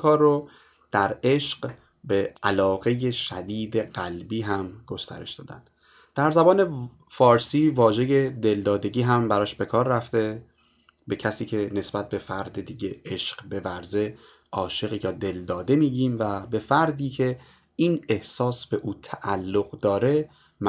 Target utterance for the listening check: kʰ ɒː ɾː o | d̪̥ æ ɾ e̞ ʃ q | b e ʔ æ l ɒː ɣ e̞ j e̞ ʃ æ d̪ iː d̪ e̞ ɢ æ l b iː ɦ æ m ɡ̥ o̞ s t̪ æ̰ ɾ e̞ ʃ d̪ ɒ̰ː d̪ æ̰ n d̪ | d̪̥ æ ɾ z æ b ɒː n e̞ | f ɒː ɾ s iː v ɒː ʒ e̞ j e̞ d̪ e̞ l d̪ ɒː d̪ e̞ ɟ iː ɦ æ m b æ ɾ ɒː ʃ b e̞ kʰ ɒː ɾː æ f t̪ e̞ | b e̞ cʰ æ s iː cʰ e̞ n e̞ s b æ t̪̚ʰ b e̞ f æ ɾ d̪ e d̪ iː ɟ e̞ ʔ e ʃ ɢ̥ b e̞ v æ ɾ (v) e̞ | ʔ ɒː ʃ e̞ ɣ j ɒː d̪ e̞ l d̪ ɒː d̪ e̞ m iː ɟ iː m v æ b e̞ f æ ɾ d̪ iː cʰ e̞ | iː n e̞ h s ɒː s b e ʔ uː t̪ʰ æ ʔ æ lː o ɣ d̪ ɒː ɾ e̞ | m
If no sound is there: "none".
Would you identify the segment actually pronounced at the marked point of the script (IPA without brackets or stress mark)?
z